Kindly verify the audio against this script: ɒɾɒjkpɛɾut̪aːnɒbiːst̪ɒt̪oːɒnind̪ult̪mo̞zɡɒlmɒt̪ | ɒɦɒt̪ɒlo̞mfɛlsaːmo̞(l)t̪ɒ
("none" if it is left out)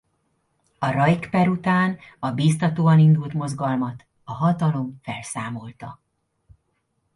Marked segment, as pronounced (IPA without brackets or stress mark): l